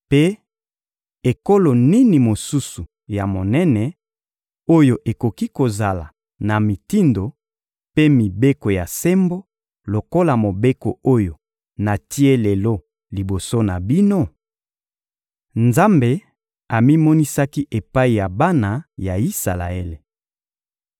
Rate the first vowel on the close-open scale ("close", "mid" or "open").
mid